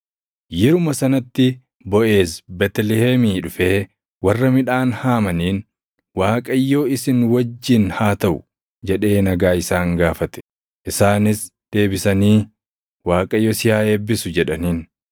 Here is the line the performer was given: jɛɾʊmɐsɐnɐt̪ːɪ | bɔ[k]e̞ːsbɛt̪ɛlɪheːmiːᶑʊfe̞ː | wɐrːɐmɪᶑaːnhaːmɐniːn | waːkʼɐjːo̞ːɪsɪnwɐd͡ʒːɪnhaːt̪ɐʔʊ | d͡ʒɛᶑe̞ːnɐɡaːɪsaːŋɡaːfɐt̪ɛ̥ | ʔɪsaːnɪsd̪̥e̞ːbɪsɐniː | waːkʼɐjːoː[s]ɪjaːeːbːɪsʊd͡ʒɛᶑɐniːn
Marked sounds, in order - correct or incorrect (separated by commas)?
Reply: incorrect, correct